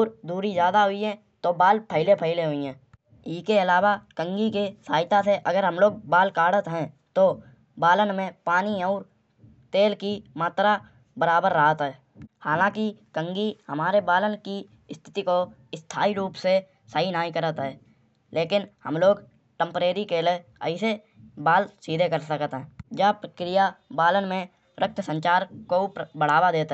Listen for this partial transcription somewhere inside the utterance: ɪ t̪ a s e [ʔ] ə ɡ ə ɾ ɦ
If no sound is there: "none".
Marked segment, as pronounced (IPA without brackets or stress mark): ʔ